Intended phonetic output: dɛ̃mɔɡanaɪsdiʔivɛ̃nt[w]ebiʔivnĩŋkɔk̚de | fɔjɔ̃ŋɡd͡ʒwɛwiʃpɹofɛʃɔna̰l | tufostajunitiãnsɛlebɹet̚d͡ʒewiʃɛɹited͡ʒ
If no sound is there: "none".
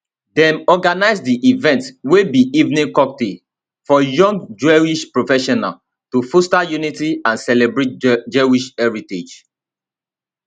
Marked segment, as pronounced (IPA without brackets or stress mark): w